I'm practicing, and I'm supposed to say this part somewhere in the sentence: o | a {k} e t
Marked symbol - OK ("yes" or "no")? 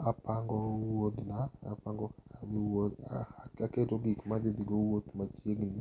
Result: yes